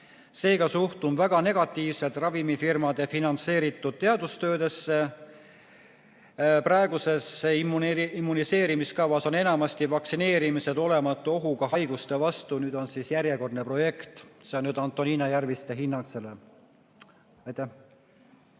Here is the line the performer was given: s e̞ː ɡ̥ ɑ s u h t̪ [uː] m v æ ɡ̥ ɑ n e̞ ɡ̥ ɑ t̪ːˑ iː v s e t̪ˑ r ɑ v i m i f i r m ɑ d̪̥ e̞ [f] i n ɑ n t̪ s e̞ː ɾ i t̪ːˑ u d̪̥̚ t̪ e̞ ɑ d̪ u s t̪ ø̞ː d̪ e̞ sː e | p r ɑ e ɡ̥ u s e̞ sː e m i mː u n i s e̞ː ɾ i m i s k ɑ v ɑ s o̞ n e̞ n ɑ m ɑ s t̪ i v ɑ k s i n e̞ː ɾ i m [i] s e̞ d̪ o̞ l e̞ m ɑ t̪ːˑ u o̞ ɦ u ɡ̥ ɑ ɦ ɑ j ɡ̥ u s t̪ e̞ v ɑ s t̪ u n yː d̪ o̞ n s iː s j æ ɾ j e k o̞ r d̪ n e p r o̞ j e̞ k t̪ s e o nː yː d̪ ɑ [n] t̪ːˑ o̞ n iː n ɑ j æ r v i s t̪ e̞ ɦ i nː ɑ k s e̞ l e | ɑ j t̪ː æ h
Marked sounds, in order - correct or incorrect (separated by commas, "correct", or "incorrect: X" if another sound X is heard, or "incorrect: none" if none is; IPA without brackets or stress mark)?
incorrect: u, correct, correct, correct